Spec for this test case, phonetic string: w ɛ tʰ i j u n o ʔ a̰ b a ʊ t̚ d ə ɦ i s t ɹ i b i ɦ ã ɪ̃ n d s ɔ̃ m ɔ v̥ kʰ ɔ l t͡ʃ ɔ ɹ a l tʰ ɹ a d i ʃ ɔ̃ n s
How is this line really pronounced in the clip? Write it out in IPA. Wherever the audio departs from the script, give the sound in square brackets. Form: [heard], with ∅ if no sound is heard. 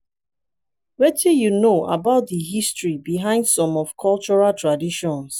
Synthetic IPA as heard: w ɛ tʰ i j u n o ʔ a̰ b a ʊ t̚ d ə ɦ i s t ɹ i b i ɦ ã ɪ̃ n d s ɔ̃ m ɔ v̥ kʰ ɔ l t͡ʃ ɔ ɹ a l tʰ ɹ a d i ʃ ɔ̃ n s